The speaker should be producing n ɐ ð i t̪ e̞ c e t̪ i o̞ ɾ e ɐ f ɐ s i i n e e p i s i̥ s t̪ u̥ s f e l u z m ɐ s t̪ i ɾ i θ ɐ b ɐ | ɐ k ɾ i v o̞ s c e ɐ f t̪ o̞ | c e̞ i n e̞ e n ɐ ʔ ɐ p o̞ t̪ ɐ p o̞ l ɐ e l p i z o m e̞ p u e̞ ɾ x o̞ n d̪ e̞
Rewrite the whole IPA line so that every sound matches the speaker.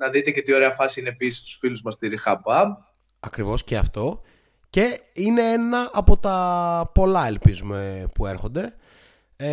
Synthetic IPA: n ɐ ð i t̪ e̞ c e t̪ i o̞ ɾ e ɐ f ɐ s i i n e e p i s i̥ s t̪ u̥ s f i l u z m ɐ s t̪ i ɾ i x ɐ b ɐ | ɐ k ɾ i v o̞ s c e ɐ f t̪ o̞ | c e̞ i n e̞ e n ɐ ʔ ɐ p o̞ t̪ ɐ p o̞ l ɐ e l p i z u m e̞ p u e̞ ɾ x o̞ n d̪ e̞